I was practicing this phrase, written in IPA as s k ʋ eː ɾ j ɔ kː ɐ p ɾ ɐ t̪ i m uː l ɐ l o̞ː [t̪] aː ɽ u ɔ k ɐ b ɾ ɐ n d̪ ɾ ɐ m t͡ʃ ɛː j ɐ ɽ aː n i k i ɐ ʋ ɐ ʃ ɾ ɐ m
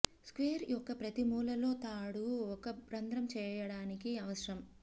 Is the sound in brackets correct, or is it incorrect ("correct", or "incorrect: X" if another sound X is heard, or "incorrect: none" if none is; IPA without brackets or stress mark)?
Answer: correct